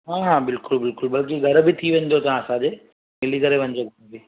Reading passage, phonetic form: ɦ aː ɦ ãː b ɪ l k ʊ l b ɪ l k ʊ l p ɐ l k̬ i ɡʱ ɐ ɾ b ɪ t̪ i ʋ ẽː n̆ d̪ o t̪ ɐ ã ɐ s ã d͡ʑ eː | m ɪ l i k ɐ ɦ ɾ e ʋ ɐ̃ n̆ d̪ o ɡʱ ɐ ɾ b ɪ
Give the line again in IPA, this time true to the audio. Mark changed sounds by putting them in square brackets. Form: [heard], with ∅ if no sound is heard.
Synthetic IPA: ɦ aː ɦ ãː b ɪ l k ʊ l b ɪ l k ʊ l [b] ɐ l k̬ i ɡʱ ɐ ɾ b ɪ [t̪ʰ] i ʋ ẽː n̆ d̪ o t̪ ɐ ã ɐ s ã d͡ʑ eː | m ɪ l i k ɐ [∅] ɾ e ʋ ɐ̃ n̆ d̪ o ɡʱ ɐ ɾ b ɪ